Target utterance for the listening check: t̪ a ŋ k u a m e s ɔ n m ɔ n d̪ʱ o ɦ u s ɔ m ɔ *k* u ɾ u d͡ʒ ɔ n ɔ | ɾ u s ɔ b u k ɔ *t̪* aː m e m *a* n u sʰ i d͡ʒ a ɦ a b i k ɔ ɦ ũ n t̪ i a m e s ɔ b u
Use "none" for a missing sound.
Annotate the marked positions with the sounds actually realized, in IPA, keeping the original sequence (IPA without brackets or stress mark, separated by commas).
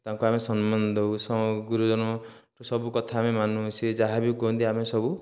ɡ, t̪ʰ, a